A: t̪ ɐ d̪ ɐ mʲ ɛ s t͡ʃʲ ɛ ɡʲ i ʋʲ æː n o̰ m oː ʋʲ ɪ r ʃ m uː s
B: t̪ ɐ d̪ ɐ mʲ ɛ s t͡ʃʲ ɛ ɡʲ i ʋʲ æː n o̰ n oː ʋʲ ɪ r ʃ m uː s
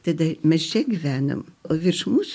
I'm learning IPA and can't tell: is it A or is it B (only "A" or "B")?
A